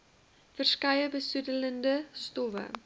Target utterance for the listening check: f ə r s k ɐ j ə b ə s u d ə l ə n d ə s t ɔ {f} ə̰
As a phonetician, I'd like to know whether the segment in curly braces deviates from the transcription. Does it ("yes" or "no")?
yes